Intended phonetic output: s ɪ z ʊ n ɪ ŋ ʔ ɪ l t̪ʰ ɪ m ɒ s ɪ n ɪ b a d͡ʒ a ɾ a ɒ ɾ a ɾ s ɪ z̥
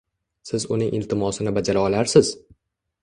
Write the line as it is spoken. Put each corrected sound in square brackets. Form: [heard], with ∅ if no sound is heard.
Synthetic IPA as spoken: s ɪ z ʊ n ɪ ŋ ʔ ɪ l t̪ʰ ɪ m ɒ s ɪ n ɪ b a d͡ʒ a ɾ a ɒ [l] a ɾ s ɪ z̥